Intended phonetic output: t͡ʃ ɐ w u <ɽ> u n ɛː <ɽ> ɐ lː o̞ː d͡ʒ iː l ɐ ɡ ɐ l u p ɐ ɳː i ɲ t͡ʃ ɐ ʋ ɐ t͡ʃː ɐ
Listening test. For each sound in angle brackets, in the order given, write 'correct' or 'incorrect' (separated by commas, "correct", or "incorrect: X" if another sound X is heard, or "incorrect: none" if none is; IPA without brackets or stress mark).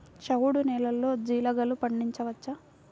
correct, incorrect: l